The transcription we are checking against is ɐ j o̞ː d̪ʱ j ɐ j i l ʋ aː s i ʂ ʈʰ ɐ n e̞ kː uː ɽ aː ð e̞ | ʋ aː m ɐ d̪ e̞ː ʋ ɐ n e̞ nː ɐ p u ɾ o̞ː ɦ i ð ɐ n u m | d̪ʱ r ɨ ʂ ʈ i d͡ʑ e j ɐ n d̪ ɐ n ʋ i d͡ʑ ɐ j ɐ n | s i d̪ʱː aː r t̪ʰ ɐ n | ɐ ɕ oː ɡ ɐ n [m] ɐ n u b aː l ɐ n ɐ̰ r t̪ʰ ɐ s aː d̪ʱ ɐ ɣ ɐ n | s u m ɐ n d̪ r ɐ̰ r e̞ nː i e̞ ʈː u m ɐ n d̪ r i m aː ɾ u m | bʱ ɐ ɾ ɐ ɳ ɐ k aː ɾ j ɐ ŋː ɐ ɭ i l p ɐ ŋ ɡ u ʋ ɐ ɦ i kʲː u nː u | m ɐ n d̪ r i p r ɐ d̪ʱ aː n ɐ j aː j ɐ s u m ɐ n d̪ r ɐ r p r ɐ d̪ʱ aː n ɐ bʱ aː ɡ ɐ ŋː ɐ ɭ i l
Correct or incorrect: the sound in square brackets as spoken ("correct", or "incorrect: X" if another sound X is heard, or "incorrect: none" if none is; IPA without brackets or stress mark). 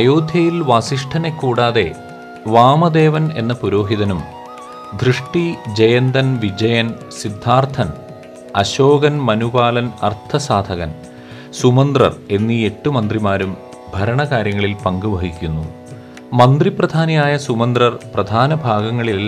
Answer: correct